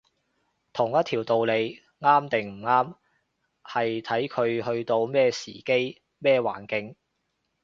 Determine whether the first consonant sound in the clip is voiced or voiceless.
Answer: voiceless